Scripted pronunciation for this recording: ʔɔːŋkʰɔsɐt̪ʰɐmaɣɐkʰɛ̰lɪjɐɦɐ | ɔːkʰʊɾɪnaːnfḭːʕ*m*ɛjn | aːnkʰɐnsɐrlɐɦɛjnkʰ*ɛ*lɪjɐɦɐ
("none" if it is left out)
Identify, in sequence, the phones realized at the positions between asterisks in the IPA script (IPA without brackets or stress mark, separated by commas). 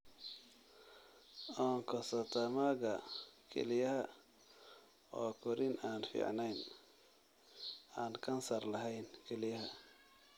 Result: n, ɛ